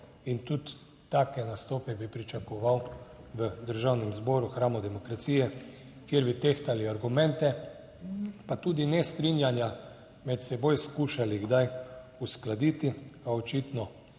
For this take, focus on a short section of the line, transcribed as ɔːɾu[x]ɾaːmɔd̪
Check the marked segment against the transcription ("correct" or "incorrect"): correct